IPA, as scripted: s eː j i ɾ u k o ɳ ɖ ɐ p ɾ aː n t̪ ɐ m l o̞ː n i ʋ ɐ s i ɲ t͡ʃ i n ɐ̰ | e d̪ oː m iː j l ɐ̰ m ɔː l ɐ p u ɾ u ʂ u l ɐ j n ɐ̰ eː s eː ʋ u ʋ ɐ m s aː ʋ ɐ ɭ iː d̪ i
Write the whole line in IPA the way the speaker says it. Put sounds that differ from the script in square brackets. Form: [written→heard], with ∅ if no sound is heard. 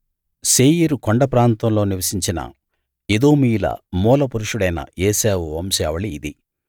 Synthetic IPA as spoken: s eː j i ɾ u k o ɳ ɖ ɐ p ɾ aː n t̪ ɐ m l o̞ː n i ʋ ɐ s i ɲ t͡ʃ i n ɐ̰ | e d̪ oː m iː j l ɐ̰ m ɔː l ɐ p u ɾ u ʂ u [l→ɽ] ɐ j n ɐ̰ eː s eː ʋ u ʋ ɐ m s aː ʋ ɐ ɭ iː d̪ i